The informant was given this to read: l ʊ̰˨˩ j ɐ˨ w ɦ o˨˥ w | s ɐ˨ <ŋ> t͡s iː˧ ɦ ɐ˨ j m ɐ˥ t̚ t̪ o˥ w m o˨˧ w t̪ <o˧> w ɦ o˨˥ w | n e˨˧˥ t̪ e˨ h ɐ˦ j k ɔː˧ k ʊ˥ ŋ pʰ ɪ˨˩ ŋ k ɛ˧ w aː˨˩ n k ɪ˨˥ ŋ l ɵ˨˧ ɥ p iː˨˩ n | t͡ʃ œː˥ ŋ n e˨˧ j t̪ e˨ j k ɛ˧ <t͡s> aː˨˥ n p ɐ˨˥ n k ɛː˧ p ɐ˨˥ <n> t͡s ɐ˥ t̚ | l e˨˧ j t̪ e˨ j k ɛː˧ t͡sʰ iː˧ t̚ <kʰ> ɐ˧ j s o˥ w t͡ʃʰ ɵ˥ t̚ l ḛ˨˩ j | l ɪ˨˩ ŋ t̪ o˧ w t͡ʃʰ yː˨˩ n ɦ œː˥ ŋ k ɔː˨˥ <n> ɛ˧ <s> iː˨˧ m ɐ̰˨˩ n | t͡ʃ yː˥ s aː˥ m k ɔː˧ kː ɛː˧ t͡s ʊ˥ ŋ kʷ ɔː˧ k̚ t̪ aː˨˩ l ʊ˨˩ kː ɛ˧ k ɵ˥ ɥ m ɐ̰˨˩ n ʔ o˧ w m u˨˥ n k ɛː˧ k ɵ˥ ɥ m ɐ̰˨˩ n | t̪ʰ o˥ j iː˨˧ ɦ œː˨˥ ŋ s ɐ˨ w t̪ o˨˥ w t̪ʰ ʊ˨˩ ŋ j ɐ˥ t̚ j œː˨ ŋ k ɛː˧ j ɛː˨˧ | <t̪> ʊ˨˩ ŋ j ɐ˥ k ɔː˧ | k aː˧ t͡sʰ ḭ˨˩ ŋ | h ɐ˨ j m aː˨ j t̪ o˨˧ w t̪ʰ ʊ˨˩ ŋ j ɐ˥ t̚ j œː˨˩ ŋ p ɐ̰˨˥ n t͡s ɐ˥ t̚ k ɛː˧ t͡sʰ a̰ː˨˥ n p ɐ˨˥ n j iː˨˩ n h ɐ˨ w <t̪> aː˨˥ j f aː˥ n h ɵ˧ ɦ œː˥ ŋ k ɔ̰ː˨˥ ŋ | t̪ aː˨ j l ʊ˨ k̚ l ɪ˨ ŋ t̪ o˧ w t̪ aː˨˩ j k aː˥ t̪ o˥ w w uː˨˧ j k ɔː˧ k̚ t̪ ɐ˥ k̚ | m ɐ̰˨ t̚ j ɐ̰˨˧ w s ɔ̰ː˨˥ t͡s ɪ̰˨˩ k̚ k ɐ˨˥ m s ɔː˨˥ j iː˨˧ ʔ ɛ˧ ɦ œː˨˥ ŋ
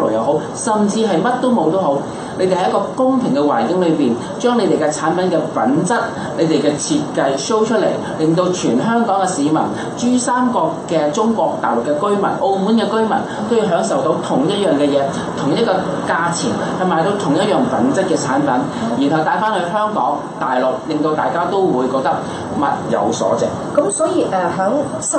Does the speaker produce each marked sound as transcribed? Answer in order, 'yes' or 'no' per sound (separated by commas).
no, no, no, yes, no, no, yes, no, yes